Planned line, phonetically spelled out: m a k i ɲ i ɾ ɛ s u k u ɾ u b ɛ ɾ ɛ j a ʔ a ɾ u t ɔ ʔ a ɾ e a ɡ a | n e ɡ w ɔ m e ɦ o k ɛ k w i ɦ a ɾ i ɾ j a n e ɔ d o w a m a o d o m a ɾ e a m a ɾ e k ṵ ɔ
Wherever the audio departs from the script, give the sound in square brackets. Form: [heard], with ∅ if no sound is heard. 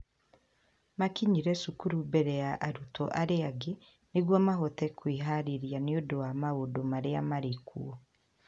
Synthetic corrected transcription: m a k i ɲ i ɾ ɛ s u k u ɾ u b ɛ ɾ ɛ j a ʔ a ɾ u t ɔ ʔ a ɾ e a ɡ [e] | n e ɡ w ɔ m [a] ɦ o [t] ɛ k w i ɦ a ɾ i ɾ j a n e [o] d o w a m a o d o m a ɾ e a m a ɾ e k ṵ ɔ